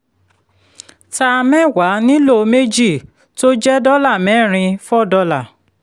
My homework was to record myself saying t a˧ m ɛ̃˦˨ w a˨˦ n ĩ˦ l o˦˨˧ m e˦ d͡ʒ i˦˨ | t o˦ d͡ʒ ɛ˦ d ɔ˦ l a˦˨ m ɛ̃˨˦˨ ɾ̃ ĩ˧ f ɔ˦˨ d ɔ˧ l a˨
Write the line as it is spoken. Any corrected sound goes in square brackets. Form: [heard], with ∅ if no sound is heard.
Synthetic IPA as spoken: t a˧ m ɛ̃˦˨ w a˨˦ n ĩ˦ l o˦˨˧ m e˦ d͡ʒ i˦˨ | t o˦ d͡ʒ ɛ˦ d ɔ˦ l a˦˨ m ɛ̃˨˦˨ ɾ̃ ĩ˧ f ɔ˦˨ d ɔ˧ l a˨